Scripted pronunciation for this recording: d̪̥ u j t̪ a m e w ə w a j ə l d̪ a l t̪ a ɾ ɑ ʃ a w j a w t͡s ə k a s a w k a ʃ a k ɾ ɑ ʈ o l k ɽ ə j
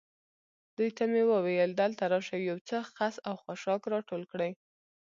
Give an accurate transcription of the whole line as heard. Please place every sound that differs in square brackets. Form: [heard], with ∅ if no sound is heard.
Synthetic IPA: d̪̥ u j t̪ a m e w ə w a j ə l d̪ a l t̪ a ɾ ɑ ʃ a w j a w t͡s ə [x] a s a w [x] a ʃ [ɑ] k ɾ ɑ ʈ o l k ɽ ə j